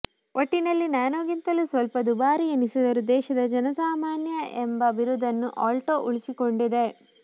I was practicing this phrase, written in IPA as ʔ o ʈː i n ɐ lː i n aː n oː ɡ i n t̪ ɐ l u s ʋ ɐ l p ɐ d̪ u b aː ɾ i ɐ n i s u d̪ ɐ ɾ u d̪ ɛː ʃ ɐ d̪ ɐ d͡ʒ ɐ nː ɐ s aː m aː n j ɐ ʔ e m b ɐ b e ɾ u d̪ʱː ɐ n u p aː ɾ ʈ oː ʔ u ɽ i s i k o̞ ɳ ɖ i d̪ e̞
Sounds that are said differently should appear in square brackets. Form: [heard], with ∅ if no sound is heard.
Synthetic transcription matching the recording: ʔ o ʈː i n ɐ lː i n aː n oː ɡ i n t̪ ɐ l u s ʋ ɐ l p ɐ d̪ u b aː ɾ i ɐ n i s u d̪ ɐ ɾ u d̪ ɛː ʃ ɐ d̪ ɐ d͡ʒ ɐ [n] ɐ s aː m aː n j ɐ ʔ e m b ɐ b [i] ɾ u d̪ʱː ɐ [nː] u [ʔ] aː [l] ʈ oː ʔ u [ɭ] i s i k o̞ ɳ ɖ i d̪ e̞